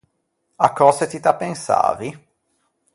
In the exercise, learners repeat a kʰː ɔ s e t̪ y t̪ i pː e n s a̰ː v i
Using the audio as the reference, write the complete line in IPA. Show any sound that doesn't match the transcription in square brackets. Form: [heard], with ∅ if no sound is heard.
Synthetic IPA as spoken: a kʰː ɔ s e t̪ [i] t̪ [a] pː e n s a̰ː v i